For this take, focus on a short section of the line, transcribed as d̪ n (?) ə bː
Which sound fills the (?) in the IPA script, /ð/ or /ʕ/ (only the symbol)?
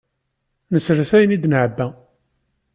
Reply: ʕ